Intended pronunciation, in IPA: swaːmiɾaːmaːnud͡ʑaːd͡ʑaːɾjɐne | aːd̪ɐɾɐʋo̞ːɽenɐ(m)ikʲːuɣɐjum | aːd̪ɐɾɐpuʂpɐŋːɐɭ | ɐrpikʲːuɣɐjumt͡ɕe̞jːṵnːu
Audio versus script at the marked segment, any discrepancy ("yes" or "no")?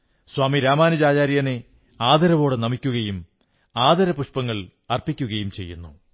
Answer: no